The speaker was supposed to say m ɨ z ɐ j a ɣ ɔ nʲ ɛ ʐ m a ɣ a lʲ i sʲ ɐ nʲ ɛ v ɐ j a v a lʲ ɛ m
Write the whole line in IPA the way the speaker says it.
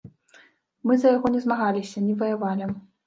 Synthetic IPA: m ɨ z ɐ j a ɣ ɔ nʲ ɛ z m a ɣ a lʲ i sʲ ɐ nʲ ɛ v ɐ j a v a lʲ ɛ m